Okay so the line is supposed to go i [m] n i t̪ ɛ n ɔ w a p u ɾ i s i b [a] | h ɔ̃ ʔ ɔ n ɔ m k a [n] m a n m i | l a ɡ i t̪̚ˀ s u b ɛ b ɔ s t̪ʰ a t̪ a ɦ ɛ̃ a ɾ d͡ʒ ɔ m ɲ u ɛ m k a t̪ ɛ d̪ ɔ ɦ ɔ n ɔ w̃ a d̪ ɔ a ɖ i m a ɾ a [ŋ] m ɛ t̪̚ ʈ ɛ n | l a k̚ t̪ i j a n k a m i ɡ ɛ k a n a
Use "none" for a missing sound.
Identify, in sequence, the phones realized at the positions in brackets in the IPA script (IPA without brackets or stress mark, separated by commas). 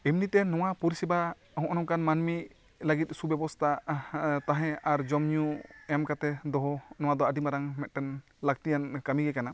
m, a, n, ŋ